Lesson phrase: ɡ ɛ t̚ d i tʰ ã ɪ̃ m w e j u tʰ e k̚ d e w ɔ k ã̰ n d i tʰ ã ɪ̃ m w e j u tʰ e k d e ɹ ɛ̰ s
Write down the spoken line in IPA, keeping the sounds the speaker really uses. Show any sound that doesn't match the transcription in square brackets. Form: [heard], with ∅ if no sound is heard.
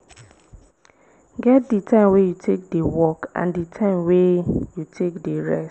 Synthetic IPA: ɡ ɛ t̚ d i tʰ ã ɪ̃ m w e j u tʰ e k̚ d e w ɔ k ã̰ n d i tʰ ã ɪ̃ m w e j u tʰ e k d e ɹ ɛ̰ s